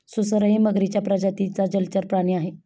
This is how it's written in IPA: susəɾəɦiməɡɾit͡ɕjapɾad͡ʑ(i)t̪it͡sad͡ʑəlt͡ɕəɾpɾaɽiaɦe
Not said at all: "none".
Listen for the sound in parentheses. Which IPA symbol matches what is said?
a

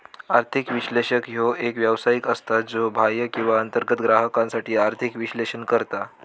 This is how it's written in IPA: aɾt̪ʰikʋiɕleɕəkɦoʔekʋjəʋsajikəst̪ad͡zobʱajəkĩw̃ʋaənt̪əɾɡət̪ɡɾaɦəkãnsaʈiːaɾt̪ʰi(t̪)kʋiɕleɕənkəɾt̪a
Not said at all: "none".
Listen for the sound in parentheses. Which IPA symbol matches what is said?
none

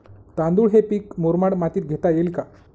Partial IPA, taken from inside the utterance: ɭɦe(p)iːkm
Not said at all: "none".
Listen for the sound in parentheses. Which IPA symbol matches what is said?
p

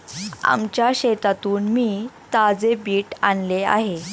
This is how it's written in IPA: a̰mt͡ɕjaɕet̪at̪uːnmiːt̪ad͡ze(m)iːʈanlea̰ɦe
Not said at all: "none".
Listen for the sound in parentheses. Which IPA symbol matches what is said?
b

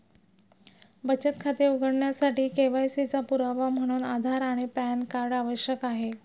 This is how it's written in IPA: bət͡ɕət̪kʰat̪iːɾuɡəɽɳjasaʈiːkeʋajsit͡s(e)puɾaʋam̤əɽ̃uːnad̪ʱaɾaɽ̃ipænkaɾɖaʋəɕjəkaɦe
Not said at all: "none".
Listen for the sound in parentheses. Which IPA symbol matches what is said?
a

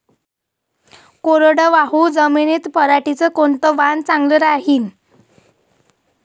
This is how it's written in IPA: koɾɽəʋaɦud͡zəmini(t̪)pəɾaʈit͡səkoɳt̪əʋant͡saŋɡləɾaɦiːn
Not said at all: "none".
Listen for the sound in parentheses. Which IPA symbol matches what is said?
t̪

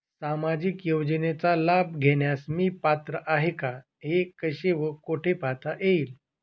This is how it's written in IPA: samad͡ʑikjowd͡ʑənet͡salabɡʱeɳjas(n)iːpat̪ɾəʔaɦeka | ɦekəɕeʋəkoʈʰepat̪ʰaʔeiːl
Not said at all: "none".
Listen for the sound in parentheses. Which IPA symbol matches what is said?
m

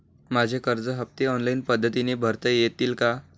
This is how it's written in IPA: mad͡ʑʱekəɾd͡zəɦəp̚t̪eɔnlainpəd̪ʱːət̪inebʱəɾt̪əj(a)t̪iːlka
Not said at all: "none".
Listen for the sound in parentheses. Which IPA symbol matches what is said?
e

